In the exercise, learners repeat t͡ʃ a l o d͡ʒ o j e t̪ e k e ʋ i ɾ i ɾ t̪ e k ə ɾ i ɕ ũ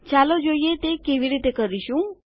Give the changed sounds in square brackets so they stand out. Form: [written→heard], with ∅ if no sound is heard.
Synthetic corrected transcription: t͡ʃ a l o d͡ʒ o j e t̪ e k e ʋ i ɾ i [ɾ→∅] t̪ e k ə ɾ i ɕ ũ